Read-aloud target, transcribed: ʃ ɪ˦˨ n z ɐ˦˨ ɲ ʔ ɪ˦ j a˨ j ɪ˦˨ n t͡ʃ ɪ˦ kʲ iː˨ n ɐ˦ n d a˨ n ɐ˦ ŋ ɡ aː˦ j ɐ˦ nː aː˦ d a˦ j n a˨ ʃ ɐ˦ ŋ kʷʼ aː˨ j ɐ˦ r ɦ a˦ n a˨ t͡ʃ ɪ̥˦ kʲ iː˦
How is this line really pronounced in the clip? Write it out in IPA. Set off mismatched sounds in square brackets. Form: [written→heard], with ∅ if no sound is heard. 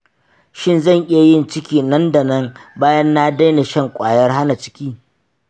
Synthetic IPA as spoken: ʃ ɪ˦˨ n z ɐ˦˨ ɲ ʔ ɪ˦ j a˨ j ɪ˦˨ n t͡ʃ ɪ˦ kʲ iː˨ n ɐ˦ n d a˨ n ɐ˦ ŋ [ɡ→b] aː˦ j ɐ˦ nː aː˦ d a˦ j n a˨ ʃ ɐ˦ ŋ kʷʼ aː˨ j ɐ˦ r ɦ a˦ n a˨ t͡ʃ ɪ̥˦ kʲ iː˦